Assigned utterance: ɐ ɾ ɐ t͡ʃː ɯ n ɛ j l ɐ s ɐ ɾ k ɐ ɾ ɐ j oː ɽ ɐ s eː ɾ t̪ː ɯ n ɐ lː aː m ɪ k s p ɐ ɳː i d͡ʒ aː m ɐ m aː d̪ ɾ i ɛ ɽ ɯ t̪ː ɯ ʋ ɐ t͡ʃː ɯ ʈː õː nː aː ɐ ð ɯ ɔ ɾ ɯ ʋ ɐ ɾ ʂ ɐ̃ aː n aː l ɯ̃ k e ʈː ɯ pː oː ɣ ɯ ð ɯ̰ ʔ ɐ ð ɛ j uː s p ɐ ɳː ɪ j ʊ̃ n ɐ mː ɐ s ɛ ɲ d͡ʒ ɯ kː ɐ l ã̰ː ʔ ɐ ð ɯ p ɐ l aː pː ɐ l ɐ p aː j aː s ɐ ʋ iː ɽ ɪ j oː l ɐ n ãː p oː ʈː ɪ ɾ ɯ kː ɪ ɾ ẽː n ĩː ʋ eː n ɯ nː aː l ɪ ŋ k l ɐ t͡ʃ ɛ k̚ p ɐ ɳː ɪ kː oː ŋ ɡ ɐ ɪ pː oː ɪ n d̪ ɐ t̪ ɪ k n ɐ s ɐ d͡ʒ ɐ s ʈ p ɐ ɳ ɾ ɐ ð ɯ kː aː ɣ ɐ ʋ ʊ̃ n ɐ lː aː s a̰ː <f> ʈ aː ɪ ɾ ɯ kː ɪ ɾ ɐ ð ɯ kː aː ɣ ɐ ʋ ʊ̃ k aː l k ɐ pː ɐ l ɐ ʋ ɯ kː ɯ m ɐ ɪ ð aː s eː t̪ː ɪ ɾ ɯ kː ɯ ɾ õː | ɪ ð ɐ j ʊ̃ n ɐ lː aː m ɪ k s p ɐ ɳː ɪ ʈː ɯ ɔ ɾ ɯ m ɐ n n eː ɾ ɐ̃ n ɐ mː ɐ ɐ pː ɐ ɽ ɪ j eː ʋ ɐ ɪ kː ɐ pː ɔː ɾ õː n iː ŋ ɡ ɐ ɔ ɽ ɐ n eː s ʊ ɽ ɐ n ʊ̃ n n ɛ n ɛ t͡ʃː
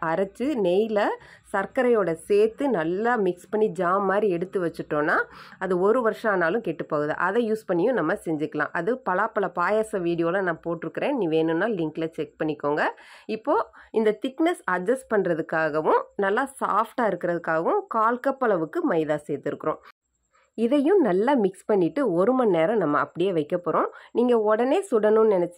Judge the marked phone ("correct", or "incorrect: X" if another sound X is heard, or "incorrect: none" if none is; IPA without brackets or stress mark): correct